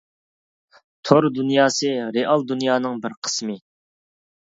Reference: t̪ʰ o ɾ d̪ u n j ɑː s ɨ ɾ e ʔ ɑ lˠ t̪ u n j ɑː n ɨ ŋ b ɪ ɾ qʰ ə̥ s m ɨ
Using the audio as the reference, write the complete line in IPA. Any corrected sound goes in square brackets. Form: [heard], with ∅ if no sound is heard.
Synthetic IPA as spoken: t̪ʰ o ɾ d̪ u n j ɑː s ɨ ɾ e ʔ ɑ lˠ [d̪] u n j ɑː n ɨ ŋ b ɪ ɾ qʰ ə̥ s m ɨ